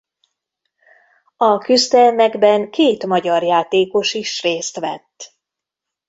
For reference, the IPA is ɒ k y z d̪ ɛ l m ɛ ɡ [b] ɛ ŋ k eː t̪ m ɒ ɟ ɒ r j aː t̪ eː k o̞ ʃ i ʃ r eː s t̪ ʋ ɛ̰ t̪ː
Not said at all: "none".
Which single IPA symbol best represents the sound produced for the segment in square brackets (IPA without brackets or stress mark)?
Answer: b